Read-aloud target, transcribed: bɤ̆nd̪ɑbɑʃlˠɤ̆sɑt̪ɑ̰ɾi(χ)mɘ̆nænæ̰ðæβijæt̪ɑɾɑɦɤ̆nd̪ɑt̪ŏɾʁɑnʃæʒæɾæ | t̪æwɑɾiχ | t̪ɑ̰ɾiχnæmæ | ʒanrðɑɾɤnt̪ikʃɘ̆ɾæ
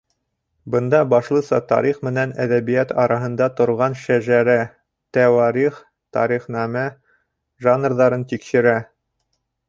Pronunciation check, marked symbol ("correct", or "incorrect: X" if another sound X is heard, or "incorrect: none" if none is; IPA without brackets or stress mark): correct